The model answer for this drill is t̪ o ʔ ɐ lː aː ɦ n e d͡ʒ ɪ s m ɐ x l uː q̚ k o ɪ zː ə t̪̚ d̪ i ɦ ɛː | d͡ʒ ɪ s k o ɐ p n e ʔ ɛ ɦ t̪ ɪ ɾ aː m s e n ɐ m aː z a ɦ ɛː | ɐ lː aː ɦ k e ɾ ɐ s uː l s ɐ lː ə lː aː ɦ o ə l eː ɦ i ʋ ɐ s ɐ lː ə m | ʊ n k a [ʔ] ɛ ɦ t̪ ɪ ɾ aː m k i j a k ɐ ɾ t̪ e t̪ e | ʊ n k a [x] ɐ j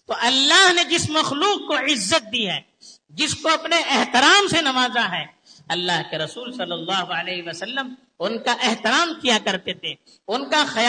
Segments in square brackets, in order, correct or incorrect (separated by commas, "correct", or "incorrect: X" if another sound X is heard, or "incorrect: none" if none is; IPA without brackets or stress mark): correct, correct